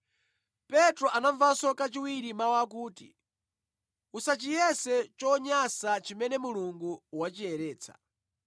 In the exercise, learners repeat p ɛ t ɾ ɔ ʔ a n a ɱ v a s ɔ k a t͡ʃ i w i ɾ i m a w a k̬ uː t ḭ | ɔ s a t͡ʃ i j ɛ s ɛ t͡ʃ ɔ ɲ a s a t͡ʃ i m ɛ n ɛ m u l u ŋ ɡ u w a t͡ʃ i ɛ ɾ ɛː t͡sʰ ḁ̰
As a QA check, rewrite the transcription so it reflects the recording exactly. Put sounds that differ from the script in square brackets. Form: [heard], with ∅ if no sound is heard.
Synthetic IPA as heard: p ɛ t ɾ ɔ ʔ a n a ɱ v a s ɔ k a t͡ʃ i w i ɾ i m a w a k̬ uː t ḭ | [u] s a t͡ʃ i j ɛ s ɛ t͡ʃ ɔ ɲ a s a t͡ʃ i m ɛ n ɛ m u l u ŋ ɡ u w a t͡ʃ i ɛ ɾ ɛː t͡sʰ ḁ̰